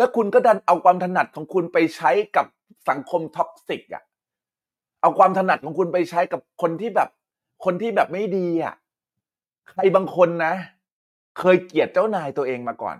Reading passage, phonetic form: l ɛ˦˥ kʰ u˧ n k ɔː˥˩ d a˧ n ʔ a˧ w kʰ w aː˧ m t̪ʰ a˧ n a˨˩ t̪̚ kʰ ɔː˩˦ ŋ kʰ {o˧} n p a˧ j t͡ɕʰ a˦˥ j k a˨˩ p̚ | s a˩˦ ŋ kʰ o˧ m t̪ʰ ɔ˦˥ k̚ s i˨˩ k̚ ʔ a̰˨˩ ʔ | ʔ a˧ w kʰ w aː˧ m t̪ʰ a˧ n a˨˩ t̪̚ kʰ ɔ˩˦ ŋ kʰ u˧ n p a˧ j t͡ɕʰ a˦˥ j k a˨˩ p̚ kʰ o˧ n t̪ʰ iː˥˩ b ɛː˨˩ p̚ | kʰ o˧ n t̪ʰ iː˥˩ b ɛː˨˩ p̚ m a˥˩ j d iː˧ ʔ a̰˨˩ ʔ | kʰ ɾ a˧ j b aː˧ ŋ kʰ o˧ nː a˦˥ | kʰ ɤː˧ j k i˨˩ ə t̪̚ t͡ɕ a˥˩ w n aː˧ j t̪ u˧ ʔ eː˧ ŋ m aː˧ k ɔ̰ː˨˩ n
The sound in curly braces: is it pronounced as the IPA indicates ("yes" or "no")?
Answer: no